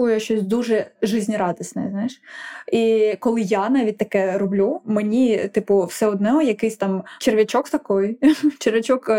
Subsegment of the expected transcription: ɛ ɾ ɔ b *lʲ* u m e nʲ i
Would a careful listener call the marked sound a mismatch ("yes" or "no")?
no